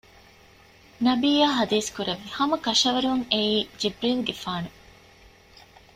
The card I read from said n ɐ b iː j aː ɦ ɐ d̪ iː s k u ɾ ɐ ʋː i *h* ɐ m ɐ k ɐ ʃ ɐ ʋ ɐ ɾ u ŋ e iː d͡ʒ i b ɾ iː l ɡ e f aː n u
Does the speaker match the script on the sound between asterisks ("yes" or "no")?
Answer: yes